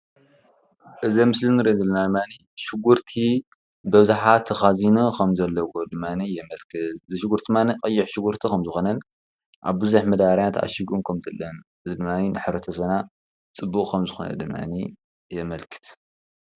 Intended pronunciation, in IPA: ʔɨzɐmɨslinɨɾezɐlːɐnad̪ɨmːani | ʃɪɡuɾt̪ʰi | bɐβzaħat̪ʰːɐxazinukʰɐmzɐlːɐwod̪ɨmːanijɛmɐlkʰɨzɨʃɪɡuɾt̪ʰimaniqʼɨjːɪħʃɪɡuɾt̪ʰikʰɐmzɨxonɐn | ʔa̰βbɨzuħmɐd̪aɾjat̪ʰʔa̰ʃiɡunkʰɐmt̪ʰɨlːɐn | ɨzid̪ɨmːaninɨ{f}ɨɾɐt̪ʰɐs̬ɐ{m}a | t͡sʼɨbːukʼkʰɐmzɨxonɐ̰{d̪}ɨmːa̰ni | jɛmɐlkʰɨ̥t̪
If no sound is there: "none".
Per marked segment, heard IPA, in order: ħ, n, d̪

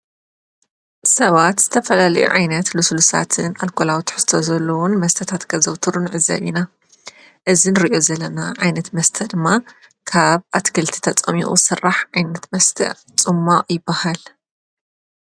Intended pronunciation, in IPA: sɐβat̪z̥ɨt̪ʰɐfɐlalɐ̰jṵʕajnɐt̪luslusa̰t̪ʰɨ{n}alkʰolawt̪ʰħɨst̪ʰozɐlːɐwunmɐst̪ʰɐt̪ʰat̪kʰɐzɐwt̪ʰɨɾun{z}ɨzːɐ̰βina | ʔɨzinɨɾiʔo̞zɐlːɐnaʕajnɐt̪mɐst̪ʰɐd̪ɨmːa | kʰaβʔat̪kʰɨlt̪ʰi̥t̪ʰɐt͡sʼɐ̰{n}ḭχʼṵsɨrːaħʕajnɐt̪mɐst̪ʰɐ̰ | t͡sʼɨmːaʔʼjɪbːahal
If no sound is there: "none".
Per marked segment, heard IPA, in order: n, ʕ, m

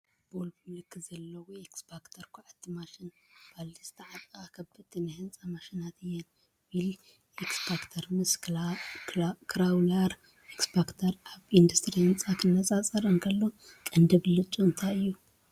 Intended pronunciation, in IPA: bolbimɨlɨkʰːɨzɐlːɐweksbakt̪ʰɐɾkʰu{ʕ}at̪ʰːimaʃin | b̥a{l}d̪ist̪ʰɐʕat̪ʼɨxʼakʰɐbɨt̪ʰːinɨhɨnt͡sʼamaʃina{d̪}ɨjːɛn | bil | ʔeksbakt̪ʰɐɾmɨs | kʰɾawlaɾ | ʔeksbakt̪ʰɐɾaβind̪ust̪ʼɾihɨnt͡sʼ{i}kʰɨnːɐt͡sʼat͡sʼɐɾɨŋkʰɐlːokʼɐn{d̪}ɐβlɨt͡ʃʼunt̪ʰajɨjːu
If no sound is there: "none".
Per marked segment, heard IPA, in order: ʕ, l, t̪, a, d̪

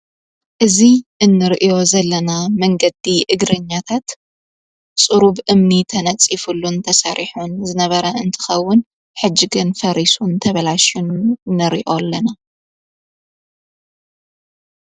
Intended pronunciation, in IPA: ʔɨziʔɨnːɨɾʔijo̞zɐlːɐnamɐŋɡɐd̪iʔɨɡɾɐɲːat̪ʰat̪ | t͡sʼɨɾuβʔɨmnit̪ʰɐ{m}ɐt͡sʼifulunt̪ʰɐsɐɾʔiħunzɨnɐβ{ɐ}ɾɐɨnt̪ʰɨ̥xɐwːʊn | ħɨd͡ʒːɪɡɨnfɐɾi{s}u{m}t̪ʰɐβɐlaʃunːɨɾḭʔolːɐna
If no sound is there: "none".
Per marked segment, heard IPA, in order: n, ɐ, s, n

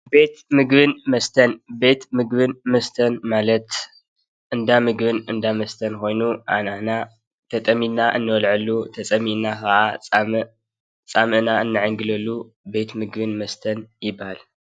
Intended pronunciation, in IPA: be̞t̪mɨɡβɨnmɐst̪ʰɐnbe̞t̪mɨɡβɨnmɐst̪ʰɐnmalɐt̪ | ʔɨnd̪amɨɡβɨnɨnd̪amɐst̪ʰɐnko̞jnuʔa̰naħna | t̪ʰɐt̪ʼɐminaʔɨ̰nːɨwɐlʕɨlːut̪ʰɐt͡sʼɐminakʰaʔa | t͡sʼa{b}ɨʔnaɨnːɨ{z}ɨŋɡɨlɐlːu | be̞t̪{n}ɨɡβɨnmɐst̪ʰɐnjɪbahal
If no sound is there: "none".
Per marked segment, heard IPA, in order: m, ʕ, m

